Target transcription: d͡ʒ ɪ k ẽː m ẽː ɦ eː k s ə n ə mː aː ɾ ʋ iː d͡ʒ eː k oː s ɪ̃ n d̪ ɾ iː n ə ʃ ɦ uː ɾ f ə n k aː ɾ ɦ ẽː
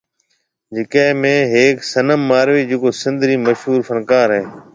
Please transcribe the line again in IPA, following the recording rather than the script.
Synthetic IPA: d͡ʒ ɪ k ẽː m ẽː ɦ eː k s ə n ə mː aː ɾ ʋ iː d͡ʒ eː k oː s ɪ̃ n d̪ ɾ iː m ə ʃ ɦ uː ɾ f ə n k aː ɾ ɦ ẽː